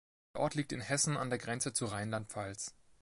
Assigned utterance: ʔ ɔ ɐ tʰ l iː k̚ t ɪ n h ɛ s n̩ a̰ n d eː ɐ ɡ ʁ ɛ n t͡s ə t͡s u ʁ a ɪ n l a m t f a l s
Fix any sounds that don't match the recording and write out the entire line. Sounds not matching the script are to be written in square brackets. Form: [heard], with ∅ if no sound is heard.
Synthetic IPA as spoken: ʔ ɔ ɐ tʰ l iː k̚ t ɪ n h ɛ s n̩ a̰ n d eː ɐ ɡ ʁ ɛ n t͡s ə t͡s u ʁ a ɪ n l a [n] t f a l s